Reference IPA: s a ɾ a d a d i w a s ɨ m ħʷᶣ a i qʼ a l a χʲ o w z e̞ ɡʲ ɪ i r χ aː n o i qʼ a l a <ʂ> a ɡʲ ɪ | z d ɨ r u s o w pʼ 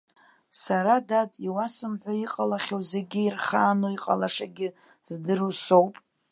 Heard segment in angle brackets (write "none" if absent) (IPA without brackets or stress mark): ʂ